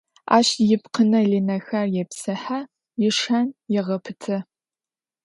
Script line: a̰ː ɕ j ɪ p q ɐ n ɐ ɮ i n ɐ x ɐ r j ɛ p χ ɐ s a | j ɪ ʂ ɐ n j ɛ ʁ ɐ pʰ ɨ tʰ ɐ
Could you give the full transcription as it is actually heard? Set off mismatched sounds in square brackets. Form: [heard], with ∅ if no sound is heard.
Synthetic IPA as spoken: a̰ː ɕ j ɪ p q [ə] n ɐ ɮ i n ɐ x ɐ r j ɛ p [s] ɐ [ħ] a | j ɪ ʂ ɐ n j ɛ ʁ ɐ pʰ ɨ tʰ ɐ